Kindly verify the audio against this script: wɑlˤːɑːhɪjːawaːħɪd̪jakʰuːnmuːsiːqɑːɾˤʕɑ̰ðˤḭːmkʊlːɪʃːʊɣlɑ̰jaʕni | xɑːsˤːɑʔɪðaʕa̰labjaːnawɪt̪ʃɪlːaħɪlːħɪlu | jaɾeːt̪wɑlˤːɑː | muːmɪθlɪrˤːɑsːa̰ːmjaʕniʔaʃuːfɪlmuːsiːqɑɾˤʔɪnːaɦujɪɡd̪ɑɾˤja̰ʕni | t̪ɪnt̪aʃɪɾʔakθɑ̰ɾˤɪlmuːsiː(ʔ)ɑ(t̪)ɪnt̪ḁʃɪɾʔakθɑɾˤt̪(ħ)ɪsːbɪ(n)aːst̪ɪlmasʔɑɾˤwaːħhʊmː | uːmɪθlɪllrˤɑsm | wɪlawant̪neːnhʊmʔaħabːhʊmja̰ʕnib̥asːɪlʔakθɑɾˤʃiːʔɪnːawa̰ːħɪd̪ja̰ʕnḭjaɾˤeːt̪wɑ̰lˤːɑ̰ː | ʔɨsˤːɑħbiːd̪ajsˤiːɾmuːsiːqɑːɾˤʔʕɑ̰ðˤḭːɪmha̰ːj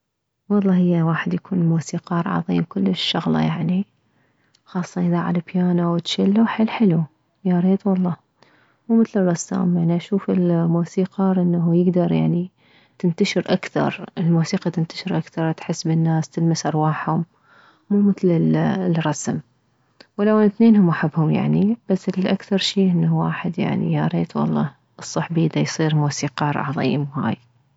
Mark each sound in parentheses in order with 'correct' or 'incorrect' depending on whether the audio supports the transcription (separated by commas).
incorrect, correct, correct, incorrect